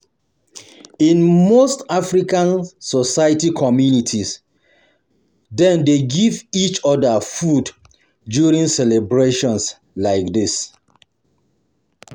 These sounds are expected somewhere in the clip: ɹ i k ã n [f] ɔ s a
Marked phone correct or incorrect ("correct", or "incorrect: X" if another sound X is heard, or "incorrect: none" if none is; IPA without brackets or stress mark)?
incorrect: s